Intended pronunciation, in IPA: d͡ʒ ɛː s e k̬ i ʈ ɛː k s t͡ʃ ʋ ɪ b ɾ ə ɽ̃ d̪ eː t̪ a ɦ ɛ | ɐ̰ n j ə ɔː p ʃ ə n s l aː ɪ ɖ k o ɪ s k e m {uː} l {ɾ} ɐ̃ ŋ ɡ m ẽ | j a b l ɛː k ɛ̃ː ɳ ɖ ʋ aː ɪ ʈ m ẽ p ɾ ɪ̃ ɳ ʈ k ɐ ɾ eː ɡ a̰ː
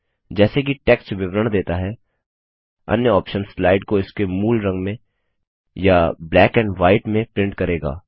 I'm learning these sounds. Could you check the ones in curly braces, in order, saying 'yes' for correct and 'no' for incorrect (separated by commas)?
yes, yes